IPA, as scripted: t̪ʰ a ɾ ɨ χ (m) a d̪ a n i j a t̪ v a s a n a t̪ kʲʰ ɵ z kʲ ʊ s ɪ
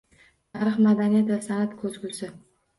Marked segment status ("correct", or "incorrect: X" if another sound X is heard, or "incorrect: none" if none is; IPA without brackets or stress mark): correct